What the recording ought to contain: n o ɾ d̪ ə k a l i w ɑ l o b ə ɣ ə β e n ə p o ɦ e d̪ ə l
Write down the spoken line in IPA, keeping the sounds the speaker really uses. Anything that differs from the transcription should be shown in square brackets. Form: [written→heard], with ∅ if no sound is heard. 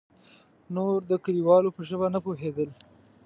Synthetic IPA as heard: n o ɾ d̪ ə k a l i w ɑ l o [b→p] ə [ɣ→ʒ] ə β [e→a] n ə p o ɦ e d̪ ə l